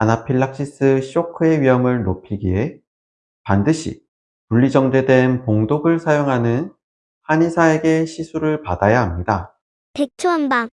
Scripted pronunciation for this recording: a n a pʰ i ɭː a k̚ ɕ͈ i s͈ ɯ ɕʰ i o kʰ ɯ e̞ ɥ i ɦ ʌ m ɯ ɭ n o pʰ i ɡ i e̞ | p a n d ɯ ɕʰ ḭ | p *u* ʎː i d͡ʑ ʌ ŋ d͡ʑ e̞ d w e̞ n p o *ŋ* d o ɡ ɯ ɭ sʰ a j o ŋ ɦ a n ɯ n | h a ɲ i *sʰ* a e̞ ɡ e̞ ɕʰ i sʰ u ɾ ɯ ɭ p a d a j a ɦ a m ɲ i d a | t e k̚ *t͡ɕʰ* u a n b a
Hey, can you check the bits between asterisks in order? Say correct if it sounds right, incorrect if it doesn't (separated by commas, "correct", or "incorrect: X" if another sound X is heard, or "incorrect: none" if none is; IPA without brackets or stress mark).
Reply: correct, correct, correct, correct